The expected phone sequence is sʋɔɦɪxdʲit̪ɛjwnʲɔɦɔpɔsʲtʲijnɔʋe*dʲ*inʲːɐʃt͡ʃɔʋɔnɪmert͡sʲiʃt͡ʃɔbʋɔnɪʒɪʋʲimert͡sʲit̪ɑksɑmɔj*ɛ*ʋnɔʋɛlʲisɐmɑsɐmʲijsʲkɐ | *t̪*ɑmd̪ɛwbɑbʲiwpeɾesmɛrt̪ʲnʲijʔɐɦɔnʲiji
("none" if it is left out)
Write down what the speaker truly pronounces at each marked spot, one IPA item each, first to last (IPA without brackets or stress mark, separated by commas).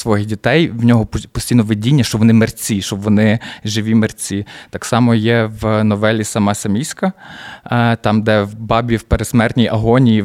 dʲ, ɛ, t̪